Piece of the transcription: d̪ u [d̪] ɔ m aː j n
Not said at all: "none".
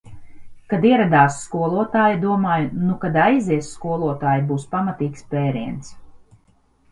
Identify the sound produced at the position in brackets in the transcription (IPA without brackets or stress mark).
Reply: none